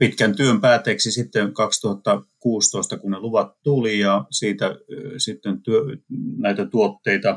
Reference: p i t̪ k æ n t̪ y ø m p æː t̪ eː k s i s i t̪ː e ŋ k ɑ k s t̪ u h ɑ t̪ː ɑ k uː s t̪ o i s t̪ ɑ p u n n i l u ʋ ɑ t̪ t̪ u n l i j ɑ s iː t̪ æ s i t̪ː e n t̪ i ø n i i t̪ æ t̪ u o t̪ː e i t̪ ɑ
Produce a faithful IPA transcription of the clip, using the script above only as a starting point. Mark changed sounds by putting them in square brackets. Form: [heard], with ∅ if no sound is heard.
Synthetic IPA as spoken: p i t̪ k æ n t̪ y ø m p æː t̪ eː k s i s i t̪ː e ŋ k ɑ k s t̪ u h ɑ t̪ː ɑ k uː s t̪ o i s t̪ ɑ [k] u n n [e] l u ʋ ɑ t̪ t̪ u [∅] l i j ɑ s iː t̪ æ s i t̪ː e n t̪ [y] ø n [æ] i t̪ æ t̪ u o t̪ː e i t̪ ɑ